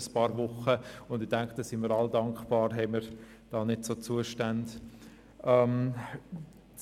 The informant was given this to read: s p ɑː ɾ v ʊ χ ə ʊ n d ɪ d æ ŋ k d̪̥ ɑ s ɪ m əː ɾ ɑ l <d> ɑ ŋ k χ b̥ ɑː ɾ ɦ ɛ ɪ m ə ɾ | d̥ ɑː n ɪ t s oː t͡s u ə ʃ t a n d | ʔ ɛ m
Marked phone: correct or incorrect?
correct